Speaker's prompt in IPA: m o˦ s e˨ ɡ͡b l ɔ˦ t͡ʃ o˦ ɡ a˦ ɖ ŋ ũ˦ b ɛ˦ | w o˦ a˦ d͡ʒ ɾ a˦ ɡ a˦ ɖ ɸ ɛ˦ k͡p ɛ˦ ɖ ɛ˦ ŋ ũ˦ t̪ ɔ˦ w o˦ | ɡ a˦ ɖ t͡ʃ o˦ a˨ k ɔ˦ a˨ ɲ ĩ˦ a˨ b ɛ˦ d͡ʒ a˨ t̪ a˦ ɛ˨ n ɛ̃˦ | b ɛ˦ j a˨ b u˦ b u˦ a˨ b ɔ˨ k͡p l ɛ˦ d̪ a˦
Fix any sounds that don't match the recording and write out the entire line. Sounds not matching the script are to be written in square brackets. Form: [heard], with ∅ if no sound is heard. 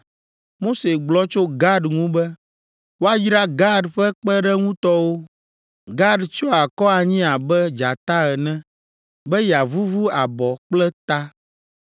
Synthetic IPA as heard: m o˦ s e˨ ɡ͡b l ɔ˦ t͡ʃ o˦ ɡ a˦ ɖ ŋ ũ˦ b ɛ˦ | w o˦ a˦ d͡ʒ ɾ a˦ ɡ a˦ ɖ ɸ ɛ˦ k͡p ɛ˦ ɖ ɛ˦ ŋ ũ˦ t̪ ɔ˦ w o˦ | ɡ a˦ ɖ t͡ʃ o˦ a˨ k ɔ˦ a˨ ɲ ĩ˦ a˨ b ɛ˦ d͡ʒ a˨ t̪ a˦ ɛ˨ n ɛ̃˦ | b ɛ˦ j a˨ [v] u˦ [v] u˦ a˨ b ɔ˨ k͡p l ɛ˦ [t̪] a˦